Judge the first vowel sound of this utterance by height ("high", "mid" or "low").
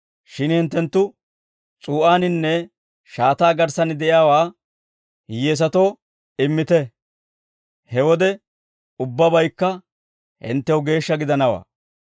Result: high